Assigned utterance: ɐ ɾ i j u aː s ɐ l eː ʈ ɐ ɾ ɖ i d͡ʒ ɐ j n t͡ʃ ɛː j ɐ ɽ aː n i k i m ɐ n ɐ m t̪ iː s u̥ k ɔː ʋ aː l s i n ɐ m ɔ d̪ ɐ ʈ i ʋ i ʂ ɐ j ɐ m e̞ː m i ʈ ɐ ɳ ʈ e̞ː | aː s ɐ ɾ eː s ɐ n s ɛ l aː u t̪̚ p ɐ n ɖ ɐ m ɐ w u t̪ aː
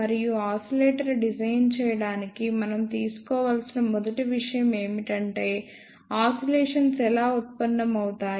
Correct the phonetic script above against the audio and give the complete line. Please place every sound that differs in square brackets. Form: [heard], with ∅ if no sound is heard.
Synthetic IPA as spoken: ɐ ɾ i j u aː s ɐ l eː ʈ ɐ ɾ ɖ i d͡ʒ ɐ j n t͡ʃ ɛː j ɐ ɽ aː n i k i m ɐ n ɐ m t̪ iː s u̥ k ɔː ʋ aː l s i n ɐ m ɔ d̪ ɐ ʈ i ʋ i ʂ ɐ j ɐ m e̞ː m i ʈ ɐ ɳ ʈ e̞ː | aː s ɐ [l] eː [ʂ] ɐ n s ɛ l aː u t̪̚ p ɐ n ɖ ɐ m ɐ w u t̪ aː